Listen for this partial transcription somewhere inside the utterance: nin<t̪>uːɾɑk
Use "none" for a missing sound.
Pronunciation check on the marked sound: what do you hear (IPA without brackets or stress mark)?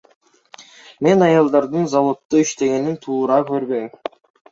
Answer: t̪ʰ